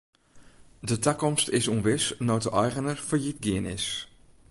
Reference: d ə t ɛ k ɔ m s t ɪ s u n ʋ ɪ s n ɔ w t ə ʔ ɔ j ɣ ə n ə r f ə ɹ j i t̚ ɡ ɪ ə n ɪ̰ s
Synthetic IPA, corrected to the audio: d ə t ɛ k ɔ m s t ɪ s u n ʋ ɪ s n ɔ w t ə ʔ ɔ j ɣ ə n ə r f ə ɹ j i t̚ ɡ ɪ ə n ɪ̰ s